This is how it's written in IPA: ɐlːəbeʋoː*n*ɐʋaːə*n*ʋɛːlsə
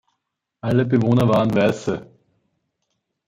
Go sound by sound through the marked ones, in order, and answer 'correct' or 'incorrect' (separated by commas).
correct, correct